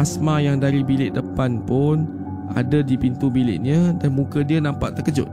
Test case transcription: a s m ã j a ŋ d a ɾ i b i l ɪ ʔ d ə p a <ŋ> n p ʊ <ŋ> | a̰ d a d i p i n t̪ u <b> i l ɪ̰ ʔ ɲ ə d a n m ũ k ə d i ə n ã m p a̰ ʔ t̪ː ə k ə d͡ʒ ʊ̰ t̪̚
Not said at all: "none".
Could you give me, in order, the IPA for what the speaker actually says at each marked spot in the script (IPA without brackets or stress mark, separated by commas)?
none, n, b